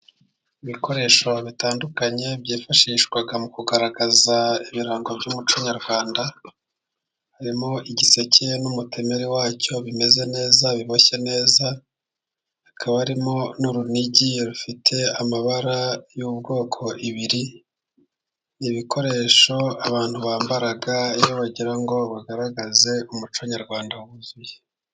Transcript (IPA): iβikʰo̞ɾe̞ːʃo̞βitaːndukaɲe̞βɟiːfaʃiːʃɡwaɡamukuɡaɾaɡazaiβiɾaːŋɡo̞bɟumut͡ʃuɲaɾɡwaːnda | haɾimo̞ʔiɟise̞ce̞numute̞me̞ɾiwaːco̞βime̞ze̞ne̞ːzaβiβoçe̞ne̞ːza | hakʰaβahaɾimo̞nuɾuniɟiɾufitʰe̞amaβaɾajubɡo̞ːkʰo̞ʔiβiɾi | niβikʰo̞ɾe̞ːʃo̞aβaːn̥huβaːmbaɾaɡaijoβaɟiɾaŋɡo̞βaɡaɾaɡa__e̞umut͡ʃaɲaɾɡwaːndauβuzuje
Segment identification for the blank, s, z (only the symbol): z